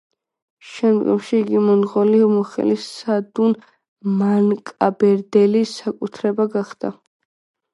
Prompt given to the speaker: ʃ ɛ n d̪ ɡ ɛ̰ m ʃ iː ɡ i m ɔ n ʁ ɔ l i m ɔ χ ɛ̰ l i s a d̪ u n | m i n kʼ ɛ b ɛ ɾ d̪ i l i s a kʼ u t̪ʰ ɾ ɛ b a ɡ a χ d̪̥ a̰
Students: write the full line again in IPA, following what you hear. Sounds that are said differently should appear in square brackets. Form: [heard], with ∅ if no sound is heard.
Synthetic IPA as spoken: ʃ ɛ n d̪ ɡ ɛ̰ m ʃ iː ɡ i m ɔ n ʁ ɔ l i m ɔ χ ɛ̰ l i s a d̪ u n | m [a] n kʼ [a] b ɛ ɾ d̪ [ɛ] l i s a kʼ u t̪ʰ ɾ ɛ b a ɡ a χ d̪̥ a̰